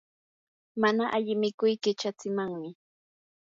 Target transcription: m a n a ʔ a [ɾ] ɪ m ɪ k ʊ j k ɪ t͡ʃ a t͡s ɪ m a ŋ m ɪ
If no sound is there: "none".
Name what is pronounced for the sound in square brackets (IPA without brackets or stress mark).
ʎ